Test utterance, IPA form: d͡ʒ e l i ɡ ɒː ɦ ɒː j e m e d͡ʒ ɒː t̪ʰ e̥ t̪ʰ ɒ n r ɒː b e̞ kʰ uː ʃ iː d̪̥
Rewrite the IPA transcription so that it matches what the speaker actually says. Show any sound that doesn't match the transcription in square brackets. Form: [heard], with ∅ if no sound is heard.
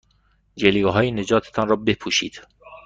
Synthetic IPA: d͡ʒ e l i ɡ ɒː ɦ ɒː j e [n] e d͡ʒ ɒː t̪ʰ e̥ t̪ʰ ɒ n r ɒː b e̞ [pʰ] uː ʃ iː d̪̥